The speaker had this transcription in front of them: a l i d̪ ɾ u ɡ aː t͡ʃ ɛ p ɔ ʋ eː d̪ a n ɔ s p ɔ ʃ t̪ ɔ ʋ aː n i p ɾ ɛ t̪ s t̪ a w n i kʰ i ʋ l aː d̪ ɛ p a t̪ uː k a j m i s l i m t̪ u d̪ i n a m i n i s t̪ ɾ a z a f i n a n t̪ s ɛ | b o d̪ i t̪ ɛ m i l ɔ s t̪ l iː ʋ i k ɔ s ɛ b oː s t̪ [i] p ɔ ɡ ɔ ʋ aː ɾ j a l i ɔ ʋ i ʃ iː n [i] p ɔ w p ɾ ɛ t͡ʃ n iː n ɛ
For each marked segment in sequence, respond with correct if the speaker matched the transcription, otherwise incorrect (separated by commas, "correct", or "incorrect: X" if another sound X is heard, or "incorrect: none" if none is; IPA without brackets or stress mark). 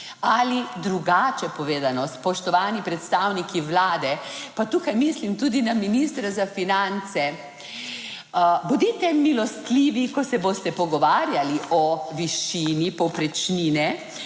incorrect: ɛ, correct